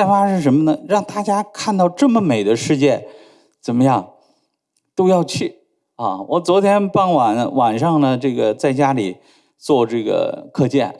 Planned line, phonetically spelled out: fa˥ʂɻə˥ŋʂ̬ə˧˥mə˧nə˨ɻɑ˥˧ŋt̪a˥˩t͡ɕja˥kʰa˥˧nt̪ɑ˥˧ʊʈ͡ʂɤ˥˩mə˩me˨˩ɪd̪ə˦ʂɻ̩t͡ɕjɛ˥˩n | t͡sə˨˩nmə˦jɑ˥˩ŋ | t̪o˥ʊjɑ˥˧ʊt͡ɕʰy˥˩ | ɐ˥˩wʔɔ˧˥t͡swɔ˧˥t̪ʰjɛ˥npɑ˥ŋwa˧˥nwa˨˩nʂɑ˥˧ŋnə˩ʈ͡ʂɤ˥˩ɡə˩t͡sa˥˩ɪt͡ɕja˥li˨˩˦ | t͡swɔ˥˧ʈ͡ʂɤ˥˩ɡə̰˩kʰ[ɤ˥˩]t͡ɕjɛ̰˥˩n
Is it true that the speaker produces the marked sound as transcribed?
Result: no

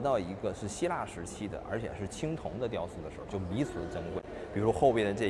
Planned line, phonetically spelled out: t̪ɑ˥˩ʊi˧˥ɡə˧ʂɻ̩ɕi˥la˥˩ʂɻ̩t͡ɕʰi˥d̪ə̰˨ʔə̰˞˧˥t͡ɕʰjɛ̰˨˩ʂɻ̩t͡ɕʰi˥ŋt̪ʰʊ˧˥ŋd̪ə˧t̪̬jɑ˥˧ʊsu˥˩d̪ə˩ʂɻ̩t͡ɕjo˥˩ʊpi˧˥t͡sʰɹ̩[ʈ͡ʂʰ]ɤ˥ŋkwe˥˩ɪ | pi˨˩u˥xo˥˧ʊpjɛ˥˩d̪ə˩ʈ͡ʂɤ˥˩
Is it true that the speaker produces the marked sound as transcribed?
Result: no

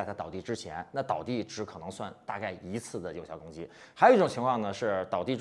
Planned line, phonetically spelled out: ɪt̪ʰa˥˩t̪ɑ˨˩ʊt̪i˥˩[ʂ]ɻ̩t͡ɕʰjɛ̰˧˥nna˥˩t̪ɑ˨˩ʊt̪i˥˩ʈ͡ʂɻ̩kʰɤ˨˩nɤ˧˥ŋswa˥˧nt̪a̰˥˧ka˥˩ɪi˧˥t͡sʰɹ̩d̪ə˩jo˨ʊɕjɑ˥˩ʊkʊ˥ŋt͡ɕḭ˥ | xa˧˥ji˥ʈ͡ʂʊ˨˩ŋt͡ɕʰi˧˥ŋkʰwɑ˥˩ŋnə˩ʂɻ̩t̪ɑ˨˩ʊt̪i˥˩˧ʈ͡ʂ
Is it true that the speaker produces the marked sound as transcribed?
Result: no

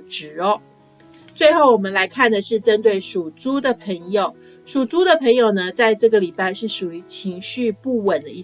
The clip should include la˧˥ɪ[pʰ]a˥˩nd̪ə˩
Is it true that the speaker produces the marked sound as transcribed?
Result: no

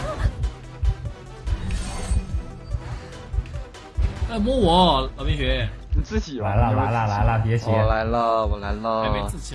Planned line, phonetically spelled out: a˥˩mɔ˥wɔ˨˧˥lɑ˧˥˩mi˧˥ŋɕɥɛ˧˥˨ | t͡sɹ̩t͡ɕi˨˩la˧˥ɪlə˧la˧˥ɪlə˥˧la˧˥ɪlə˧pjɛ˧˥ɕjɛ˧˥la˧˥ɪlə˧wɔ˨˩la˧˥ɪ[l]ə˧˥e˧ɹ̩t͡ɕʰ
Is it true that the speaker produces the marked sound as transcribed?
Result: yes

